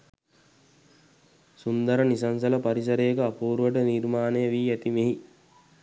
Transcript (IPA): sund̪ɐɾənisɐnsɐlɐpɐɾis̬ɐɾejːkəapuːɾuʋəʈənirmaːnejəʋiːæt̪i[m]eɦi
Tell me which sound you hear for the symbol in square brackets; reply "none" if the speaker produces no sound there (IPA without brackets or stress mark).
m